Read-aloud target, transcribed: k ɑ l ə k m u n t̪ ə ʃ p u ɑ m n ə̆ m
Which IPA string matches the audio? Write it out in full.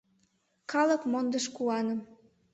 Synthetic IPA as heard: k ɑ l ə k m o n d̪ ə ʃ k u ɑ n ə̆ m